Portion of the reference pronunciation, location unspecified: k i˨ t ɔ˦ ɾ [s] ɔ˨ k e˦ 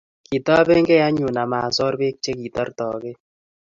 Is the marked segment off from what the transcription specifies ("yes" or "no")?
yes